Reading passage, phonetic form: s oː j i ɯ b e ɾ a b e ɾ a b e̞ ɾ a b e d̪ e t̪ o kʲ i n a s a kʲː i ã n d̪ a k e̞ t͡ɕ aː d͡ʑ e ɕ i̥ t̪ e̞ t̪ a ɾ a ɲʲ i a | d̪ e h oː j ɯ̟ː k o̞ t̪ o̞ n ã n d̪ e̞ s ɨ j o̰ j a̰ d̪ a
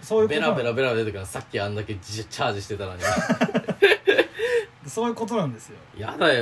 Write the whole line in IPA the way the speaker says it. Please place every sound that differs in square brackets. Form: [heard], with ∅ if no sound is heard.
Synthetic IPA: s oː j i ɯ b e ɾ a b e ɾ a b e̞ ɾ a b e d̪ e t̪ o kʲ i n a s a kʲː i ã n d̪ a k e̞ t͡ɕ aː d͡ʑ [i] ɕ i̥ t̪ e̞ t̪ a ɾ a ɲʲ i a | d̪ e [s] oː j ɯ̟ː k o̞ t̪ o̞ n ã n d̪ e̞ s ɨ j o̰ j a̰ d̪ a